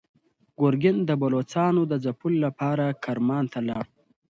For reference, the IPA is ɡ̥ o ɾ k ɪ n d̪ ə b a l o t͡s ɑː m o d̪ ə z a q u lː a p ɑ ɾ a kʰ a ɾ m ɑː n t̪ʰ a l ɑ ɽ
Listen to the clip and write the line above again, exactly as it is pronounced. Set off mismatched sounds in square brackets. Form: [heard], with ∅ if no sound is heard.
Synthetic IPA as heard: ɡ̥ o ɾ [ɡ] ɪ n d̪ ə b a l o t͡s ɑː [n] o d̪ ə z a [p] u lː a p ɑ ɾ a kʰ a ɾ m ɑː n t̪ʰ a l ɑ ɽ